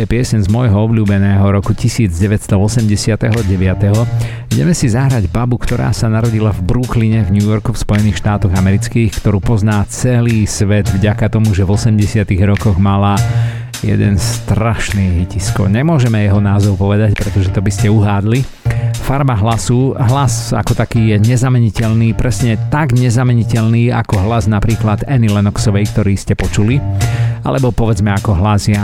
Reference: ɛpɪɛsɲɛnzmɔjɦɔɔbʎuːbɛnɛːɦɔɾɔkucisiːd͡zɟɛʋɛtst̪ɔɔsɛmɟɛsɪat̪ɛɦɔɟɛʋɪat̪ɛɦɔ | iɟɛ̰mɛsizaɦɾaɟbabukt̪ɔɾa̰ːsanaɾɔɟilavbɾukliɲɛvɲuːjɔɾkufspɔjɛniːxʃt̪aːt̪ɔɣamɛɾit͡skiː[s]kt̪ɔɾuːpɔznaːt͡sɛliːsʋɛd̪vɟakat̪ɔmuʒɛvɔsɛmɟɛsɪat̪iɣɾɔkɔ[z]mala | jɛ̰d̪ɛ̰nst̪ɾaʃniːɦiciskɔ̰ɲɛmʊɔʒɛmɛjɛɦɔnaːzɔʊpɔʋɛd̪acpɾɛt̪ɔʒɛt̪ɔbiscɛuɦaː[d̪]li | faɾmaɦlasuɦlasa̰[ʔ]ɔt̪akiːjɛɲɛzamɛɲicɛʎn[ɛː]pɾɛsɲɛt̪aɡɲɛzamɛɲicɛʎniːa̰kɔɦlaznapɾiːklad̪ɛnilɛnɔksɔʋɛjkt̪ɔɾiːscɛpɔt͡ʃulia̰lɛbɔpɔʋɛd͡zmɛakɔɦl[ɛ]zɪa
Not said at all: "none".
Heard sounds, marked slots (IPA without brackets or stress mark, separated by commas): x, ɣ, d̪, k, iː, a